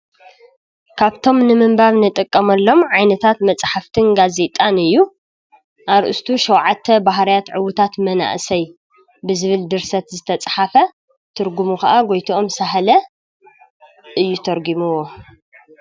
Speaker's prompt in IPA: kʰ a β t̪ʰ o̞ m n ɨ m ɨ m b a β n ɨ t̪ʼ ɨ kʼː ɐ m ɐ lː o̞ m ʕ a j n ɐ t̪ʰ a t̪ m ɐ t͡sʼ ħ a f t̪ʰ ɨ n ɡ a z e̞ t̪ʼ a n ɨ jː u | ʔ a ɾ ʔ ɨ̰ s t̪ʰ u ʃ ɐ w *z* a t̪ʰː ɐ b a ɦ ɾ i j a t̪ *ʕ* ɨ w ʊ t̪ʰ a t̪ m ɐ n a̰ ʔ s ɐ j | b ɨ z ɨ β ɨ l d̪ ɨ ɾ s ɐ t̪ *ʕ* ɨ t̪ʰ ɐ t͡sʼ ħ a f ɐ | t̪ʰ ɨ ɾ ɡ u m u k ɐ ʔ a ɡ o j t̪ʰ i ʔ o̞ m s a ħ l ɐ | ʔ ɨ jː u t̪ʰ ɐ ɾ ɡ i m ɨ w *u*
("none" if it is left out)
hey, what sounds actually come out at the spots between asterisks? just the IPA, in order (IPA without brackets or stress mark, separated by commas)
ʕ, ʕ, z, o